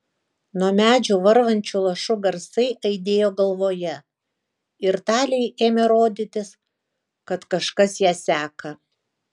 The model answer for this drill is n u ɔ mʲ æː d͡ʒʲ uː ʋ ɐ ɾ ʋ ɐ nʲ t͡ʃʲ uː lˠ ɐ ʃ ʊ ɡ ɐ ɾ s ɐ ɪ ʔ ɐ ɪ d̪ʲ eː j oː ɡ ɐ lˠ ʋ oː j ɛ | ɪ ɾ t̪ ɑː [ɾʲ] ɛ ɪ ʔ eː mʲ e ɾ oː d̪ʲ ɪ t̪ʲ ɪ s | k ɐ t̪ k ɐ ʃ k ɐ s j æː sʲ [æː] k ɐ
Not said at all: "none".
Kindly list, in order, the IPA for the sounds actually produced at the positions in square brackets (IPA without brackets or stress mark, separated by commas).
lʲ, æː